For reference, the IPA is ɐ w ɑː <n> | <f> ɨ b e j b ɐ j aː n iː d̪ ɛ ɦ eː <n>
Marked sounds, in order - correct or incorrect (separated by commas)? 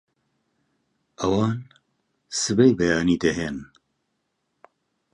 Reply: correct, incorrect, correct